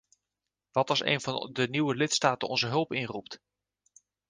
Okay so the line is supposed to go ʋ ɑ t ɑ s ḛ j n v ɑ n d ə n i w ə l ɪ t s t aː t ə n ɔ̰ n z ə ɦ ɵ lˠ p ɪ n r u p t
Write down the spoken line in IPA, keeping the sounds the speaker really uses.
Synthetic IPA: ʋ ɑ t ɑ s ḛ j n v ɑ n d ə n i w ə l ɪ t s t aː t ə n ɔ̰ n z ə ɦ ɵ lˠ p ɪ n r u p t